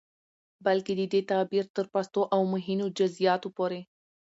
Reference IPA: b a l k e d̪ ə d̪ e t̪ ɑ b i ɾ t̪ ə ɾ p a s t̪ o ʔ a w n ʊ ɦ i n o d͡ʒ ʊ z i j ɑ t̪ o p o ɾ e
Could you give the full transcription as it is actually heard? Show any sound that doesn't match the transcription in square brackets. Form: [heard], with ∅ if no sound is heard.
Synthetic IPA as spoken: b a l k e d̪ ə d̪ e t̪ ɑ b i ɾ t̪ ə ɾ p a s t̪ o ʔ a w [m] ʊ ɦ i n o d͡ʒ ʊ z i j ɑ t̪ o p o ɾ e